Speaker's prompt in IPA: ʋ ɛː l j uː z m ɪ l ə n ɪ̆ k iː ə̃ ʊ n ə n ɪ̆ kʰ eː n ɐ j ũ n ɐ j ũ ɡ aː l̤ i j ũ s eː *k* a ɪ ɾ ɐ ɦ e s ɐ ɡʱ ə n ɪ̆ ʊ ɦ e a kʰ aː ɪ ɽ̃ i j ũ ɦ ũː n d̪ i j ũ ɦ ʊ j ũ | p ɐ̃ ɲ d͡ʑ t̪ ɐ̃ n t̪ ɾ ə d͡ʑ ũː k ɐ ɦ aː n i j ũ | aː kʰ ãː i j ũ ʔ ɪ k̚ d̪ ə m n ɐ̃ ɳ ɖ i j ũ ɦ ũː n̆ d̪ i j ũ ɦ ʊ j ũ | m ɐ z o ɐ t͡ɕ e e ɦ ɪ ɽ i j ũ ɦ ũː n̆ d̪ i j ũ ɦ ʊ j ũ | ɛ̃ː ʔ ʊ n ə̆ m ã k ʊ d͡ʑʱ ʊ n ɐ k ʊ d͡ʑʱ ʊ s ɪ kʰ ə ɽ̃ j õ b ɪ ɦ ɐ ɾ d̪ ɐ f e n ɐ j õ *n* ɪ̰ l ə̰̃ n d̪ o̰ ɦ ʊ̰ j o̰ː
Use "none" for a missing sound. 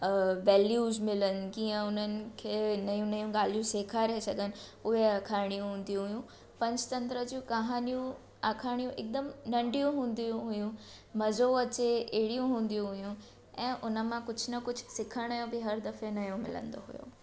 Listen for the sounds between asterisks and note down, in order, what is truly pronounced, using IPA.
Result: kʰ, m

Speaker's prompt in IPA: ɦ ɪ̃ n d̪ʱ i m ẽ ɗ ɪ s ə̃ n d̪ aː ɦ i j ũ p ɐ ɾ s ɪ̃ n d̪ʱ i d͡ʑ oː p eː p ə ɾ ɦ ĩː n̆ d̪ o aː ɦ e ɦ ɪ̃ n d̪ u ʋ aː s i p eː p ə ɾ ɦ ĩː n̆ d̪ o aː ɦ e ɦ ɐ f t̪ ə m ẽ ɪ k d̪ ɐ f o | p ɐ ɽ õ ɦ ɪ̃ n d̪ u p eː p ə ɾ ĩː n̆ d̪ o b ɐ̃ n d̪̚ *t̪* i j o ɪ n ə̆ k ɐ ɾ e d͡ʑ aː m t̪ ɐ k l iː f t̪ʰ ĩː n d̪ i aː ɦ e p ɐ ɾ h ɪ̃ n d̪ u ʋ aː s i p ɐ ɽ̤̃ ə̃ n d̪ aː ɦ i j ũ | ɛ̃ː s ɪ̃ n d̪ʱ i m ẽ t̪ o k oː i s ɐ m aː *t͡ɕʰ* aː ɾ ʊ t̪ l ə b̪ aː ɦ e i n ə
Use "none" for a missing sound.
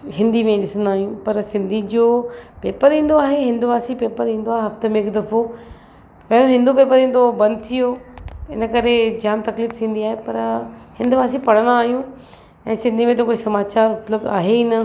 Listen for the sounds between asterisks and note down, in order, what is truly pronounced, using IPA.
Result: t̪ʰ, t͡ɕ

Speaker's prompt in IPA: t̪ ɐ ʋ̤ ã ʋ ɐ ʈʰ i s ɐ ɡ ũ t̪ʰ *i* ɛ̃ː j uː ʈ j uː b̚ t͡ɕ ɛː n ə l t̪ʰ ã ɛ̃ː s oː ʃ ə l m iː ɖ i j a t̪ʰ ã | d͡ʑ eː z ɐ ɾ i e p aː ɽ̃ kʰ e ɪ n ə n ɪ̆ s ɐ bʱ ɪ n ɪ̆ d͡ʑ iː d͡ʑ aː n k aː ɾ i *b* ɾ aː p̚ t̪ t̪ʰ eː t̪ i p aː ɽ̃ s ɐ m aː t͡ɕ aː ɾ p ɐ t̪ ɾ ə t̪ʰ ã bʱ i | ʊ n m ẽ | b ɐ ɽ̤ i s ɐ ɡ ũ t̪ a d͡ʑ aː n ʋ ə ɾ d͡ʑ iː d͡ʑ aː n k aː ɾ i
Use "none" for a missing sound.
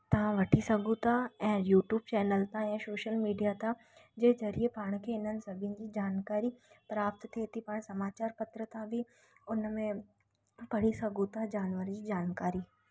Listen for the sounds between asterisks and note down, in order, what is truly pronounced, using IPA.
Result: a, p

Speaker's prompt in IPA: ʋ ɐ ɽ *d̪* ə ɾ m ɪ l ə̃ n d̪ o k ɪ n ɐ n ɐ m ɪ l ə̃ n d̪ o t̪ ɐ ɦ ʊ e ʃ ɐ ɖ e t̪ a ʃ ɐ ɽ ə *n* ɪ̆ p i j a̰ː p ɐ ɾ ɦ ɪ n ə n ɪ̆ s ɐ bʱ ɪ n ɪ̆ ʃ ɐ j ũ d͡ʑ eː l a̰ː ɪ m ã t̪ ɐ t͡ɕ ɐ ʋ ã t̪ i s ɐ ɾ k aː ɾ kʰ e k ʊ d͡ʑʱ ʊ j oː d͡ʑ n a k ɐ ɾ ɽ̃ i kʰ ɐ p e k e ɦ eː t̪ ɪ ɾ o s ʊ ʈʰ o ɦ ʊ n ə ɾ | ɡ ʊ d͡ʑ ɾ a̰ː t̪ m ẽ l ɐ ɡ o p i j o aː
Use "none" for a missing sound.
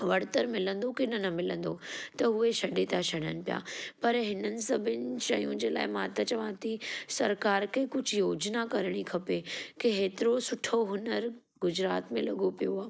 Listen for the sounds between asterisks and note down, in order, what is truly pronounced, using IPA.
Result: t̪, n

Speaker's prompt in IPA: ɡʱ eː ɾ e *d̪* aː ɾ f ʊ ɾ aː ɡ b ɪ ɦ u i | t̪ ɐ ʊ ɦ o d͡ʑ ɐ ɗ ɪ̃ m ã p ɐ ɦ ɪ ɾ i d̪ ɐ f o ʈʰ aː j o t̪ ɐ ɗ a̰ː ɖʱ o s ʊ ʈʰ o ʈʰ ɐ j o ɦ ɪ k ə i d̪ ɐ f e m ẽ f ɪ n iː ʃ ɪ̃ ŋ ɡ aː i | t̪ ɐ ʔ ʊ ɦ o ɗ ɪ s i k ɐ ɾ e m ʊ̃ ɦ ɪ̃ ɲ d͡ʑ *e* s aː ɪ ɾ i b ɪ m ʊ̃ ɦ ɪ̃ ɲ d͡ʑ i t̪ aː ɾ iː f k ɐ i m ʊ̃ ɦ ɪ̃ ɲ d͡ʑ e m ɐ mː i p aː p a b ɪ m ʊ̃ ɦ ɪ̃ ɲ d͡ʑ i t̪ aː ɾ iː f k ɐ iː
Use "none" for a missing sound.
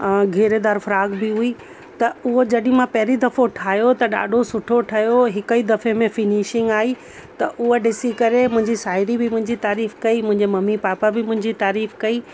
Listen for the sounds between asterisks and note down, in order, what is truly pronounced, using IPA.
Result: d̪, i

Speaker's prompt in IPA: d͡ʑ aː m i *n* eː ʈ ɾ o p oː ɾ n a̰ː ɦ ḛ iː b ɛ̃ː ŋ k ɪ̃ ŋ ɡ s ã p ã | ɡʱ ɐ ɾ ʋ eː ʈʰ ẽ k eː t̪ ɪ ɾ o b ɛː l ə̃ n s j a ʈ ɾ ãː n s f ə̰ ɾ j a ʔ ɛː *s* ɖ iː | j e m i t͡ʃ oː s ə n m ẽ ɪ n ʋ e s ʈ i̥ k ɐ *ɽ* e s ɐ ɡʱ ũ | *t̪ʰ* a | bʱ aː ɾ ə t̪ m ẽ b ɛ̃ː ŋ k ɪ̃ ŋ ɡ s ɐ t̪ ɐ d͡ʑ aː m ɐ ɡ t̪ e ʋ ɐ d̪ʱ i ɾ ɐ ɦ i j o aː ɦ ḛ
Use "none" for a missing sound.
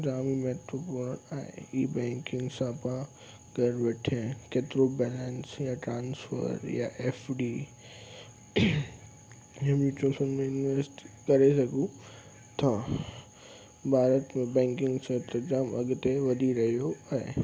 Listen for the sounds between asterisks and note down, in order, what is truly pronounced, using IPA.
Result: m, f, ɾ, t̪ʰ

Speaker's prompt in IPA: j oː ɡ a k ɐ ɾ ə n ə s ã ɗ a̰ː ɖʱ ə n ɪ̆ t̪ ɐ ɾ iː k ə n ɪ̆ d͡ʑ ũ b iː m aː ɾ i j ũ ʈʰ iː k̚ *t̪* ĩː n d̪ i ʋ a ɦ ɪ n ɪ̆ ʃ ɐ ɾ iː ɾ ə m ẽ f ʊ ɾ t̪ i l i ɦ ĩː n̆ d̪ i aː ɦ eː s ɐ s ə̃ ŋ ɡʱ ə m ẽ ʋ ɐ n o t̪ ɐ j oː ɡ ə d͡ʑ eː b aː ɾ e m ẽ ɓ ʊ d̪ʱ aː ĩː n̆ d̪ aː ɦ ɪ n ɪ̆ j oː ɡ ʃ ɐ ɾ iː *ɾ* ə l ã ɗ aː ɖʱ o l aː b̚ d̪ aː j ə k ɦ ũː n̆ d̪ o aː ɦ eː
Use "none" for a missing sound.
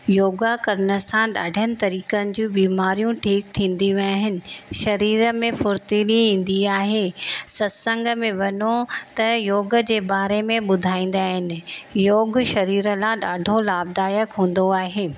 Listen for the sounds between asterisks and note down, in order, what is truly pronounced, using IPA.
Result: t̪ʰ, ɾ

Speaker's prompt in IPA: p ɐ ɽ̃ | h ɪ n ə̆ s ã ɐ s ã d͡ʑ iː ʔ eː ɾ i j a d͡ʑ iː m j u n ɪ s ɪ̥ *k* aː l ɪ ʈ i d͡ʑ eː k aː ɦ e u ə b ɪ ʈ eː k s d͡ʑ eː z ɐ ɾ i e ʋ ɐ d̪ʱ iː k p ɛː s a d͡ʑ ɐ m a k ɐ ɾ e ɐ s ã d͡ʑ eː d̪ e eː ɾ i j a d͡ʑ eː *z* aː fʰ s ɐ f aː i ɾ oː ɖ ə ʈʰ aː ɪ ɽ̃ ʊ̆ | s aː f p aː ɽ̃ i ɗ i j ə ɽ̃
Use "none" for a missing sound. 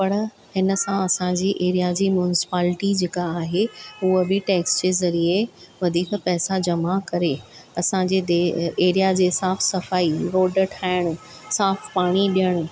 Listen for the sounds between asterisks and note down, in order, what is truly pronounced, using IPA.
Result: p, s

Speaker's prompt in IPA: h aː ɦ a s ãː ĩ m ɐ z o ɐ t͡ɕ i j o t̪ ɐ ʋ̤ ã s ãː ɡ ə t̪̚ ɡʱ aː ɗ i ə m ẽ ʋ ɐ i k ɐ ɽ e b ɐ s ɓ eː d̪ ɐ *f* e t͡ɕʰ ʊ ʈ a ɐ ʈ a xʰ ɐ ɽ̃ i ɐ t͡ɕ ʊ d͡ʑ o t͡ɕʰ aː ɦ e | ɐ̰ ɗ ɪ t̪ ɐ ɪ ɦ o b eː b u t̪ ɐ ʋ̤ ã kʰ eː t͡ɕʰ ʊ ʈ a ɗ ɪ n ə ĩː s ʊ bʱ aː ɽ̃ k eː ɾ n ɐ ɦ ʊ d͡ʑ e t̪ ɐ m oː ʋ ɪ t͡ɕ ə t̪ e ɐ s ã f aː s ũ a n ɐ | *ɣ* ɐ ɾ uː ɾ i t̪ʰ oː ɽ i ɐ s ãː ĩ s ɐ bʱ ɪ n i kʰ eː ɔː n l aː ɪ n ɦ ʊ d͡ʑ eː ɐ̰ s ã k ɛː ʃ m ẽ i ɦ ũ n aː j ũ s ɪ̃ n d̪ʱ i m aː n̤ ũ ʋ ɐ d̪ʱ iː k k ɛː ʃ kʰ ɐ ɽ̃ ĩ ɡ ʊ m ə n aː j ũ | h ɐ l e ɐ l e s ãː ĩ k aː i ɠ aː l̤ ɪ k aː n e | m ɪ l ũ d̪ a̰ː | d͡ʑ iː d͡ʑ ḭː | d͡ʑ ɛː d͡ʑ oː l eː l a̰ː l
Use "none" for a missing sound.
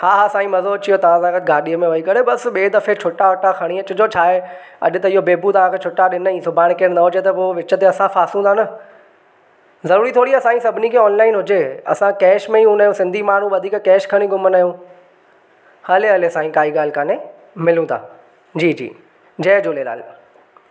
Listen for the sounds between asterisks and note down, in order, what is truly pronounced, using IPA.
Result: f, z

